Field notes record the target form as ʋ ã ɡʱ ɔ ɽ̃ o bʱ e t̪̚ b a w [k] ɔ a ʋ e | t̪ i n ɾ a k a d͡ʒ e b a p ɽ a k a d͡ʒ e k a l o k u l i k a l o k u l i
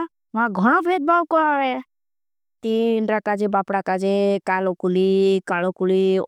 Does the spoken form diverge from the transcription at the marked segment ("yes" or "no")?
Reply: no